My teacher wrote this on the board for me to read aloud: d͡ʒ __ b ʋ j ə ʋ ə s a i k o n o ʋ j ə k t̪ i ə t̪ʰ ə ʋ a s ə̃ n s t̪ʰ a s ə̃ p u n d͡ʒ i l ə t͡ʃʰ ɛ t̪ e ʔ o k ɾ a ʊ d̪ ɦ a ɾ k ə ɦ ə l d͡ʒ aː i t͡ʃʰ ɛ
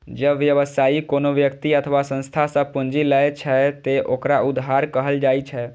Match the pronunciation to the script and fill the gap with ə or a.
ə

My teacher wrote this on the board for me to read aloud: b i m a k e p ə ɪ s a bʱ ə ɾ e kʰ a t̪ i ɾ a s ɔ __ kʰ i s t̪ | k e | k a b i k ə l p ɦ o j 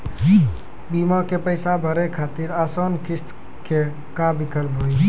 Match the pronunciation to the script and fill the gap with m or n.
n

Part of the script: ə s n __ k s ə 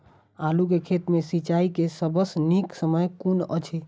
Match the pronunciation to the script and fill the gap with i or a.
i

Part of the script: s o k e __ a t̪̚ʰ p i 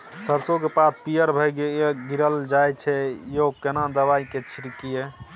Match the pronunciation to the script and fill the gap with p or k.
p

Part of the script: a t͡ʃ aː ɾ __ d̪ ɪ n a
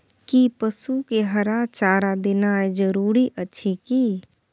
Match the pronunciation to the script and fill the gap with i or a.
a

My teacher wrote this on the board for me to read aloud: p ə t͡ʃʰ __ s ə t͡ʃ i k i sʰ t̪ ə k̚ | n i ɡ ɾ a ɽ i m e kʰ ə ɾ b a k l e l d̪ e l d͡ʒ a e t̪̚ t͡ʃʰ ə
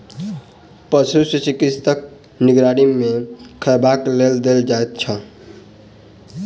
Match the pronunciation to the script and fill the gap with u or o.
u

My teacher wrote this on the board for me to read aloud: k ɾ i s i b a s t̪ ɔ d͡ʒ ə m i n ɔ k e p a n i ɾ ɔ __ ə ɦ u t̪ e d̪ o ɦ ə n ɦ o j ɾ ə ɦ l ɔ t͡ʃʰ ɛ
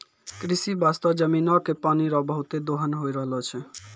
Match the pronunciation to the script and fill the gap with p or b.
b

